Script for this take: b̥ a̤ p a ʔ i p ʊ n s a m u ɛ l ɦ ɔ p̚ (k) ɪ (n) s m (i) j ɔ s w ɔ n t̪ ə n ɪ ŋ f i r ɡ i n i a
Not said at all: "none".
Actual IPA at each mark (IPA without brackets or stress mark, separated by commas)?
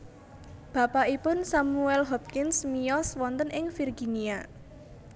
k, n, i